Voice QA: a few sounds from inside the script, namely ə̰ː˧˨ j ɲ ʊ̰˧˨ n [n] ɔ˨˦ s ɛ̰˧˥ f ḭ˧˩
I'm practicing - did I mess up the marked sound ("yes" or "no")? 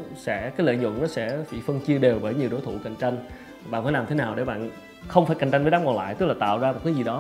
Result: no